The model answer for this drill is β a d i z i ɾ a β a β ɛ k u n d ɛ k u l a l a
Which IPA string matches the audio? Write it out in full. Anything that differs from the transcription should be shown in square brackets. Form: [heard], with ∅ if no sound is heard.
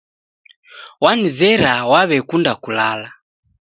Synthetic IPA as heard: [w] a [n] i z [ɛ] ɾ a [w] a β ɛ k u n d [a] k u l a l a